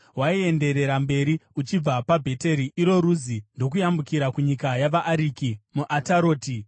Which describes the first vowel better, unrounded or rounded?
unrounded